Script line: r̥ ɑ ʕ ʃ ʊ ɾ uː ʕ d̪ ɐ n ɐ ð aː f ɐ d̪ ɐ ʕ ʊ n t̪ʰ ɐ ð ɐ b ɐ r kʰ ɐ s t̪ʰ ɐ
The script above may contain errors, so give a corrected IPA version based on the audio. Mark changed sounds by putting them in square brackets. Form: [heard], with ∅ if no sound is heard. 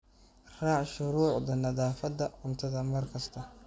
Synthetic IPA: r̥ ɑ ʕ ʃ ʊ ɾ uː ʕ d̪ ɐ n ɐ ð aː f ɐ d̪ ɐ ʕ ʊ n t̪ʰ ɐ ð ɐ [m] ɐ r kʰ ɐ s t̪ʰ ɐ